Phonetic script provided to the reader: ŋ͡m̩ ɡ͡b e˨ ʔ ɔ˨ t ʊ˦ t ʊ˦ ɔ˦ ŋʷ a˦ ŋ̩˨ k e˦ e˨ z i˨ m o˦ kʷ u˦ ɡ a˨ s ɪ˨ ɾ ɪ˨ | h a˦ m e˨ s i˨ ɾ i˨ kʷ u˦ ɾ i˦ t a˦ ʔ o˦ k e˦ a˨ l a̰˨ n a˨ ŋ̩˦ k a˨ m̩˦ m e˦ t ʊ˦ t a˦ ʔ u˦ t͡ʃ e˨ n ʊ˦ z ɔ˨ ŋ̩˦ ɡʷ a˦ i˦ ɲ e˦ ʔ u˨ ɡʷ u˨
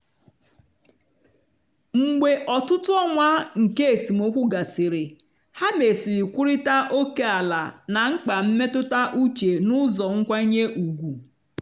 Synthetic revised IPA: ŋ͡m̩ ɡ͡b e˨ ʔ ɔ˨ t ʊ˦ t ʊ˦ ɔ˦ ŋʷ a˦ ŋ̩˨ k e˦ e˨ s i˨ m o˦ kʷ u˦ ɡ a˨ s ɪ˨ ɾ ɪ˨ | h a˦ m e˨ s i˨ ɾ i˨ kʷ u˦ ɾ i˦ t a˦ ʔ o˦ k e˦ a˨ l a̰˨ n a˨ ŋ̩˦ k͡p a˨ m̩˦ m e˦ t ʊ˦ t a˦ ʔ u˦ t͡ʃ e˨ n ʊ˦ z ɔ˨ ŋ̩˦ kʷ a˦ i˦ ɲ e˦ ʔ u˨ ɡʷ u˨